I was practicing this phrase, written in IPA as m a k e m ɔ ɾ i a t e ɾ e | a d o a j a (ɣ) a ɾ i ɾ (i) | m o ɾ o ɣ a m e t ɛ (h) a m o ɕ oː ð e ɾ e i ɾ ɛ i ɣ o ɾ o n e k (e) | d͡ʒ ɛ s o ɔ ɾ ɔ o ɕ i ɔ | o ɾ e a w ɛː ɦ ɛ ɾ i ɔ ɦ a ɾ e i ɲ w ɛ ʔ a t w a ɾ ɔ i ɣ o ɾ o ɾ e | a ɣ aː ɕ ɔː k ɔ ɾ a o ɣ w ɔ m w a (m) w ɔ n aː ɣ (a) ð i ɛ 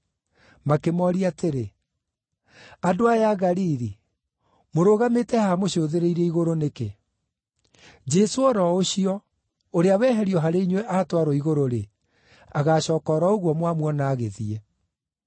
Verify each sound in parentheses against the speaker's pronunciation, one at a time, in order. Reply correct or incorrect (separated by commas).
correct, correct, correct, correct, correct, incorrect